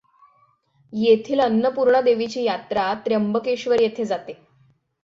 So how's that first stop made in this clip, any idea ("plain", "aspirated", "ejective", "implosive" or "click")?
aspirated